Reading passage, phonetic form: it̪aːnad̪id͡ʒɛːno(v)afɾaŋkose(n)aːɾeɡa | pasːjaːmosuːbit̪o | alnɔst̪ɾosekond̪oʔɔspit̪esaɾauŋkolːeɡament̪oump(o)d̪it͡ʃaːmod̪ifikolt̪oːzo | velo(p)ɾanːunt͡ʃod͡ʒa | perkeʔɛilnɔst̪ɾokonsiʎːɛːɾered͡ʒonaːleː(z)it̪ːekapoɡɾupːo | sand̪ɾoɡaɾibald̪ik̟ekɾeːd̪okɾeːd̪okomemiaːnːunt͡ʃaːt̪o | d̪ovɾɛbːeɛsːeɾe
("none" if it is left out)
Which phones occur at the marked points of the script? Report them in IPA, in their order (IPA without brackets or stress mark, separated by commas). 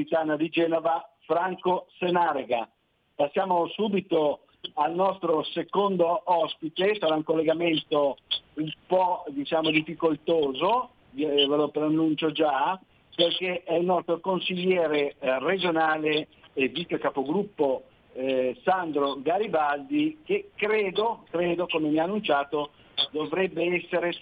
v, n, ɔ, p, v